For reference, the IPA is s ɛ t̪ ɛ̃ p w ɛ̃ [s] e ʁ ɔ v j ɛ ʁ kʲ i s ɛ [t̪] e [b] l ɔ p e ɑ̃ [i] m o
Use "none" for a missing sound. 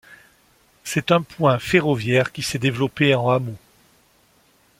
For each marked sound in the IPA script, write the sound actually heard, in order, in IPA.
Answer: f, d̪, v, a

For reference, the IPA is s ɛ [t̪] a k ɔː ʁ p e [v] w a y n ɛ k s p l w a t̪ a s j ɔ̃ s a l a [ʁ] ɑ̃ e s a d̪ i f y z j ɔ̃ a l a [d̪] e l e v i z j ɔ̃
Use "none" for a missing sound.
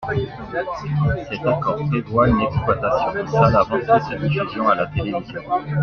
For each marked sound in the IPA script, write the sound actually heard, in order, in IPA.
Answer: t̪, v, v, t̪

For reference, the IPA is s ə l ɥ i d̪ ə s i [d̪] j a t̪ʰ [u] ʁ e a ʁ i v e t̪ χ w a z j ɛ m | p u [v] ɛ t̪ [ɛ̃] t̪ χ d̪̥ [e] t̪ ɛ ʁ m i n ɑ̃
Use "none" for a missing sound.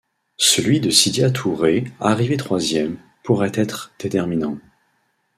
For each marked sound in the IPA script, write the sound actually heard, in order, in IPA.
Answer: d̪, u, ʁ, ɛ, e

